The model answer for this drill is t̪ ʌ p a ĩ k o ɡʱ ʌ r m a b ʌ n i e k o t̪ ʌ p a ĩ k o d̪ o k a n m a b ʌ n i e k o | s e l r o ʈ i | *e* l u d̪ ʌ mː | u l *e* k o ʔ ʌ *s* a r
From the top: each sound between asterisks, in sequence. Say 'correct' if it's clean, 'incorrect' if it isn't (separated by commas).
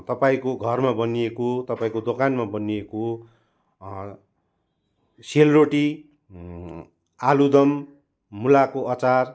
incorrect, incorrect, incorrect